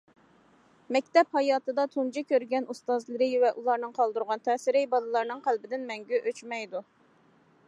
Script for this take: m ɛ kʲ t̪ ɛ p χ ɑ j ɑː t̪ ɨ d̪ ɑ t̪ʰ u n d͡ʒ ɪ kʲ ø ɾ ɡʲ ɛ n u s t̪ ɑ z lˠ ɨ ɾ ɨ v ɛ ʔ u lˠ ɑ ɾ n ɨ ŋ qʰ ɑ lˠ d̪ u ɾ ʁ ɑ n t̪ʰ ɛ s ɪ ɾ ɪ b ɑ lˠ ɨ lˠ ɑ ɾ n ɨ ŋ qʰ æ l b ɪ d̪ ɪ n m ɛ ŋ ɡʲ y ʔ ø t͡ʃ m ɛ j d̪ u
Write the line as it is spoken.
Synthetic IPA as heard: m ɛ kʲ t̪ ɛ p h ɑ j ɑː t̪ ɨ d̪ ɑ t̪ʰ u n d͡ʒ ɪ kʲ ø ɾ ɡʲ ɛ n u s t̪ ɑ z lˠ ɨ ɾ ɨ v ɛ ʔ u lˠ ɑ ɾ n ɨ ŋ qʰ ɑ lˠ d̪ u ɾ ʁ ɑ n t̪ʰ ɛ s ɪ ɾ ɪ b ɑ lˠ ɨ lˠ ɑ ɾ n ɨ ŋ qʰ æ l b ɪ d̪ ɪ n m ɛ ŋ ɡʲ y ʔ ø t͡ʃ m ɛ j d̪ u